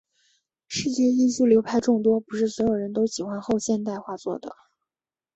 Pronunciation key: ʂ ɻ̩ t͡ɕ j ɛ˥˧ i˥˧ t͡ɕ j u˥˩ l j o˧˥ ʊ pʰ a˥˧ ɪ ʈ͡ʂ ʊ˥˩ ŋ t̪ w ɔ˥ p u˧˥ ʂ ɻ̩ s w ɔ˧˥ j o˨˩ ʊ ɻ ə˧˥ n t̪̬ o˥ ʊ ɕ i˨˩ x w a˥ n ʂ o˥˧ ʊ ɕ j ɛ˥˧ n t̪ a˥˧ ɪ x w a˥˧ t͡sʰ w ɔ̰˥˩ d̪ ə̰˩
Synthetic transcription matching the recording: ʂ ɻ̩ t͡ɕ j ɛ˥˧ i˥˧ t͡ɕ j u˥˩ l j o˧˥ ʊ pʰ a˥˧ ɪ ʈ͡ʂ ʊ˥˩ ŋ t̪ w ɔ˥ p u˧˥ ʂ ɻ̩ s w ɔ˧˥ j o˨˩ ʊ ɻ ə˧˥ n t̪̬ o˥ ʊ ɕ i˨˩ x w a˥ n x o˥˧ ʊ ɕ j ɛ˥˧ n t̪ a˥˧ ɪ x w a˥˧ t͡s w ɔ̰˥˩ d̪ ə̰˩